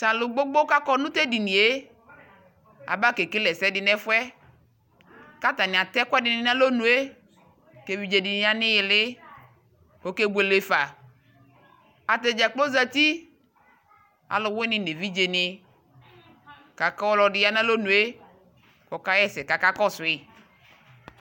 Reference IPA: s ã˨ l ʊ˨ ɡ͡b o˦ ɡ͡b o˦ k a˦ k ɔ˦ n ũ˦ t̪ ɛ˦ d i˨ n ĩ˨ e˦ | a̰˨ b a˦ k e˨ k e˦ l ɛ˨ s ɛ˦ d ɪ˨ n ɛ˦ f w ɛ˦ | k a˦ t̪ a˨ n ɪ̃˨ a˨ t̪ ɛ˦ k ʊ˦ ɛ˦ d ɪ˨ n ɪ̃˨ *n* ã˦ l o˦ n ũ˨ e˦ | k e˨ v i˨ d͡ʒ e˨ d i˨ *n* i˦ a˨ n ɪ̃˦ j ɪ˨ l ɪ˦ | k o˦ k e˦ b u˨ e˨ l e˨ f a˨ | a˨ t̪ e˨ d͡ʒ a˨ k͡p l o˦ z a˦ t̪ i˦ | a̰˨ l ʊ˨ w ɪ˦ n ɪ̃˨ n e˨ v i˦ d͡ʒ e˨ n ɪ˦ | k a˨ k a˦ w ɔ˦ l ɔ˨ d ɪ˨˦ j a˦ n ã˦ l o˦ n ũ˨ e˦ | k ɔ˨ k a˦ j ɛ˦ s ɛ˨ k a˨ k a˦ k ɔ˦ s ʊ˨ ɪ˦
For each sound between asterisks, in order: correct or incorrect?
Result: correct, correct

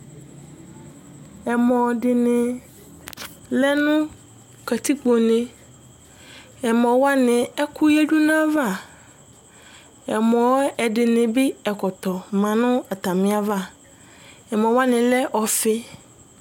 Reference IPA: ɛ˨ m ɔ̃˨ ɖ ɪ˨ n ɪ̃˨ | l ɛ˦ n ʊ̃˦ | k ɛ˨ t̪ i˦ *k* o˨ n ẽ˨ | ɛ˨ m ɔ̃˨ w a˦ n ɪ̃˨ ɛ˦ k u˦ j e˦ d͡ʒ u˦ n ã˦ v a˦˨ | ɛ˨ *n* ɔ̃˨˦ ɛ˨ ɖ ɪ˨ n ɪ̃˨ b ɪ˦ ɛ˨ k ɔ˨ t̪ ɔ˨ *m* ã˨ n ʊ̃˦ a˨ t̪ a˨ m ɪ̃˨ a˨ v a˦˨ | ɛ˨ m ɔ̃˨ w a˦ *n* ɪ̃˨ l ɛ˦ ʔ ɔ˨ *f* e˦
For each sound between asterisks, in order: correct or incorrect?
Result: incorrect, incorrect, correct, correct, correct

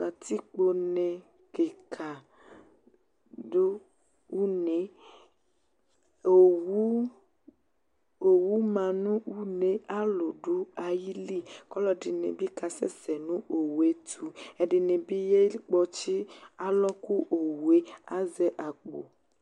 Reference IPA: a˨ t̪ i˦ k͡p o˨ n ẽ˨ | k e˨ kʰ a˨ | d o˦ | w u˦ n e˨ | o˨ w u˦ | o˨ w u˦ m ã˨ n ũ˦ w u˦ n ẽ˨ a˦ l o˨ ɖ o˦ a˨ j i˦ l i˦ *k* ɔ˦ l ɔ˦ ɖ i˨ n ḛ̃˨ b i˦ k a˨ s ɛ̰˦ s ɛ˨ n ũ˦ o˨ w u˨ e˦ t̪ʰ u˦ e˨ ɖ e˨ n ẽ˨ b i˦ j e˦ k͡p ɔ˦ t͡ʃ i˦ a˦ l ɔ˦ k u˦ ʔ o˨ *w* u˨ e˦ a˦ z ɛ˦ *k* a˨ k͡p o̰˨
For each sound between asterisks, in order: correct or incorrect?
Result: correct, correct, incorrect

